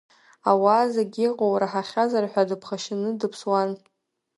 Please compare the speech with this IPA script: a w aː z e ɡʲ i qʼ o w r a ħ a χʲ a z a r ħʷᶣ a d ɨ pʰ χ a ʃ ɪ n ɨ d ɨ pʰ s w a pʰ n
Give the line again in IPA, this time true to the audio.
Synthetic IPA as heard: a w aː z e ɡʲ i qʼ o w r a ħ a χʲ a z a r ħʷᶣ a d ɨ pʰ χ a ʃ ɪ n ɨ d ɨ pʰ s w a n